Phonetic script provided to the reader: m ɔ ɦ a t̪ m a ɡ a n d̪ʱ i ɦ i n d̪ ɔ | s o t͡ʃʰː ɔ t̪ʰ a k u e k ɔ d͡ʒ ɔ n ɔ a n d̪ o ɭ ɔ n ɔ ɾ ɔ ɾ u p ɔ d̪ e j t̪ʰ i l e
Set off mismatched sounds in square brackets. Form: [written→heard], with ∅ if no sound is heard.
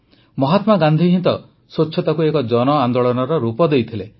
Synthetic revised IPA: m ɔ ɦ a t̪ m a ɡ a n d̪ʱ i ɦ i n [d̪→t̪] ɔ | s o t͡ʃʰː ɔ [t̪ʰ→t̪] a k u e k ɔ d͡ʒ ɔ n ɔ a n d̪ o ɭ ɔ n ɔ ɾ ɔ ɾ u p ɔ d̪ e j t̪ʰ i l e